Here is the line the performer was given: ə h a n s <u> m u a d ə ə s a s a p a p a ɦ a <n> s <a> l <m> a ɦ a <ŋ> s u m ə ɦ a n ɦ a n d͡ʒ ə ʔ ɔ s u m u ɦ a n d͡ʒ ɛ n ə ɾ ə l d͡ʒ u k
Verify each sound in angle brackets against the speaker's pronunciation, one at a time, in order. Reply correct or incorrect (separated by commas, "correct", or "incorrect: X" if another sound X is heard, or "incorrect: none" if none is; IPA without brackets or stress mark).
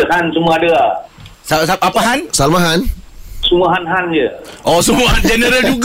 correct, correct, correct, correct, incorrect: n